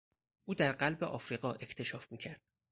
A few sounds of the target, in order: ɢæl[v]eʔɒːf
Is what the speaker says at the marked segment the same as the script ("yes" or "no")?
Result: no